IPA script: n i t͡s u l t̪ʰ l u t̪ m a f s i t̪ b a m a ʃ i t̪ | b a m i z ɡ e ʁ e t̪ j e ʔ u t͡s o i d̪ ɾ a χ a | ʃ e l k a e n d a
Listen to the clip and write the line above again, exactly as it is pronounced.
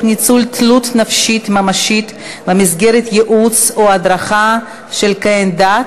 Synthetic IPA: n i t͡s u l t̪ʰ l u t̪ n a f ʃ i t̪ m a m a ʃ i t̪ | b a m i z ɡ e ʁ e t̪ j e ʔ u t͡s o a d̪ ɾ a χ a | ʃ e l k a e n d a